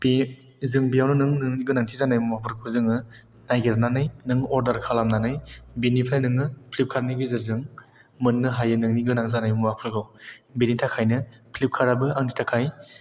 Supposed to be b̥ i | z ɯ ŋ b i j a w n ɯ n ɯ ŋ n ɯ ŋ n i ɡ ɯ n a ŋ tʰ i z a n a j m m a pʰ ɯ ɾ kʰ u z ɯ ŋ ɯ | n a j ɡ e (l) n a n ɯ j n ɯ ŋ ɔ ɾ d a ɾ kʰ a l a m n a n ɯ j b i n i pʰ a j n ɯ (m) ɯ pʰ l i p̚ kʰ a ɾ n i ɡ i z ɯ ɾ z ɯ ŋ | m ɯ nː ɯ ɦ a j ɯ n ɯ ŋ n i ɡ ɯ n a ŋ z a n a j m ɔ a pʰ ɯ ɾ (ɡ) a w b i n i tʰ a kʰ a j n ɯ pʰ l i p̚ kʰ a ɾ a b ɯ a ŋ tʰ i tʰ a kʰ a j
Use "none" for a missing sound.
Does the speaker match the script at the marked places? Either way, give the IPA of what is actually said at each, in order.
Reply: ɾ, ŋ, ɡ

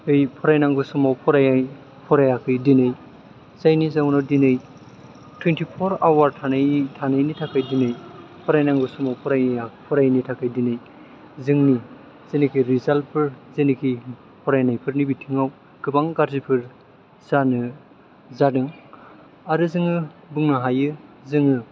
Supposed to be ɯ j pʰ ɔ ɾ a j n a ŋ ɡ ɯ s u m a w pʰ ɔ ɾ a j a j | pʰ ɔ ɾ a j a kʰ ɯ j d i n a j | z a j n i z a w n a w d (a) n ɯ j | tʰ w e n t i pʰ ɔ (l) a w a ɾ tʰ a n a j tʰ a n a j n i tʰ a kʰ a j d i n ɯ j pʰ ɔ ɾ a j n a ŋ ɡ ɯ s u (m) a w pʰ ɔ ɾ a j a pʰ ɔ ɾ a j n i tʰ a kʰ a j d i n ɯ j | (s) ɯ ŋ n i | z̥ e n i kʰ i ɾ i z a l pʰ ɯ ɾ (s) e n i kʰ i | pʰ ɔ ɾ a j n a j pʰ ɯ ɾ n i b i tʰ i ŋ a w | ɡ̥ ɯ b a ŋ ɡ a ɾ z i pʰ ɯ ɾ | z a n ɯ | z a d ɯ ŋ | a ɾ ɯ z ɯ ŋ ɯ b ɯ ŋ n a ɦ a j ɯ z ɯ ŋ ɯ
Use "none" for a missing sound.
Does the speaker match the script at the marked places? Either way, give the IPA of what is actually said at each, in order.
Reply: i, ɾ, m, z, z

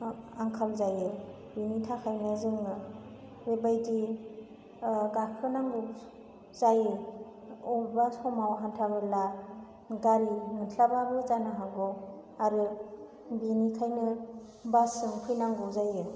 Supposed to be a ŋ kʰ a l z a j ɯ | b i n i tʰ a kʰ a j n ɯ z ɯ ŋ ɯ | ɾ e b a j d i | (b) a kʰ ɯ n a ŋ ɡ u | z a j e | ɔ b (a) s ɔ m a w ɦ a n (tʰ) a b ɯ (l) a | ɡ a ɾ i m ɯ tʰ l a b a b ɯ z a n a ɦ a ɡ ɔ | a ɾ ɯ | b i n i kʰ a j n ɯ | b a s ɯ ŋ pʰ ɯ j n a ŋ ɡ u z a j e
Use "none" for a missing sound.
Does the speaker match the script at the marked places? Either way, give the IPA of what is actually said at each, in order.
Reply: ɡ, a, tʰ, l

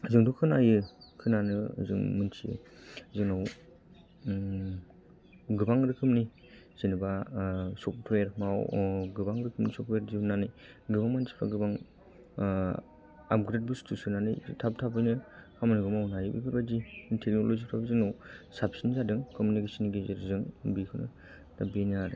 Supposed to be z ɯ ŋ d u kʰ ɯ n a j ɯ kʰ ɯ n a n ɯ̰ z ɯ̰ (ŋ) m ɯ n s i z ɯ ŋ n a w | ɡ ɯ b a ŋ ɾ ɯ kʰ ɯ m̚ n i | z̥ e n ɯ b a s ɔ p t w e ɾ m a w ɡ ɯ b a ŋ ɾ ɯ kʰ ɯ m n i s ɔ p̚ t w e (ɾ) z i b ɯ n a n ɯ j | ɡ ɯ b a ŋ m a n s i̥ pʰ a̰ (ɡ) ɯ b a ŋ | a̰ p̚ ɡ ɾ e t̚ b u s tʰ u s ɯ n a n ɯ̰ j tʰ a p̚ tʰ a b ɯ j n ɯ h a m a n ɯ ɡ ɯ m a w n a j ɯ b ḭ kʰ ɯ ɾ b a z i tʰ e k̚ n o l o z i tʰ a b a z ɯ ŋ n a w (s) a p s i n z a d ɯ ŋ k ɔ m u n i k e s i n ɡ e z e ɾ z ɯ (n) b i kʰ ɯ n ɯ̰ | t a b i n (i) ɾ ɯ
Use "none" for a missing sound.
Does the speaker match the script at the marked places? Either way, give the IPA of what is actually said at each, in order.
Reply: ŋ, ɾ, ɡ, s, ŋ, a

